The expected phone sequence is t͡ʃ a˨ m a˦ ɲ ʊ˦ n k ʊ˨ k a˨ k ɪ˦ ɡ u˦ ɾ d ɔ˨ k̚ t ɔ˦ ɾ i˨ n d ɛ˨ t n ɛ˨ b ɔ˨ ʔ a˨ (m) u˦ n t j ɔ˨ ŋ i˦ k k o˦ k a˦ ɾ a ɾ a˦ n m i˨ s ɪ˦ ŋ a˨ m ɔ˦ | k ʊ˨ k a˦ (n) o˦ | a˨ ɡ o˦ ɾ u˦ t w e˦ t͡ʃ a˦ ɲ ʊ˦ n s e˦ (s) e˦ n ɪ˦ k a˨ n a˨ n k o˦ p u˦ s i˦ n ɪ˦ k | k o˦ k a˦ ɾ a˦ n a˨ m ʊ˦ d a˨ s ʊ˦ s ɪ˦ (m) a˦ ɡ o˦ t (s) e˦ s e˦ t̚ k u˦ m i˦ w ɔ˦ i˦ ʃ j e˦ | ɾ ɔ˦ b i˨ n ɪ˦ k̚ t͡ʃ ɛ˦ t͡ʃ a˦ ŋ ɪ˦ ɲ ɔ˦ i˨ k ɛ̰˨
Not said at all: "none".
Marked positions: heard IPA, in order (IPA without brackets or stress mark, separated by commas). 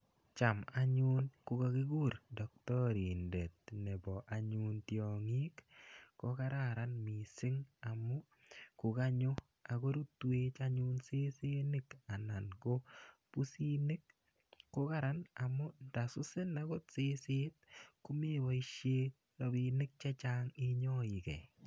ɲ, ɲ, s, n, s